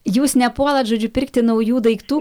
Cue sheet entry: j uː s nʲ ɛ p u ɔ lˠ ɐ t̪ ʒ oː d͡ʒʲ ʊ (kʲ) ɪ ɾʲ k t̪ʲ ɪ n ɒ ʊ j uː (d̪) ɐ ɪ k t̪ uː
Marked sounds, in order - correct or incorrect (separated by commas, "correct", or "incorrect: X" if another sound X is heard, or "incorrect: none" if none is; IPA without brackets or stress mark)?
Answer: incorrect: pʲ, correct